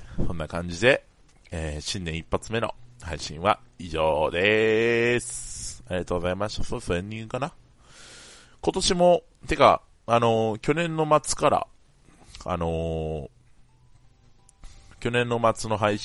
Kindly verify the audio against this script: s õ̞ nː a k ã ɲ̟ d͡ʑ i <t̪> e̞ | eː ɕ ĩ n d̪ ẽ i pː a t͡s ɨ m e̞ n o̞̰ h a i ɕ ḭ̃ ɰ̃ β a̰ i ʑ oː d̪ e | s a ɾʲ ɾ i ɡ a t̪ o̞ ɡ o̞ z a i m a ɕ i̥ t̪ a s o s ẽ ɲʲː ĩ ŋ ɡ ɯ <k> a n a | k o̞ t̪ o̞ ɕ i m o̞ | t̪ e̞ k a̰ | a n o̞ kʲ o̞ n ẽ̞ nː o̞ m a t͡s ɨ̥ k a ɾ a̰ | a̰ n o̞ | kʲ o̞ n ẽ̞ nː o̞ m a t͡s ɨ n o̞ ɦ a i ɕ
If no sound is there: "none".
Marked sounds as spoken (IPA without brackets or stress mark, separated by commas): d̪, k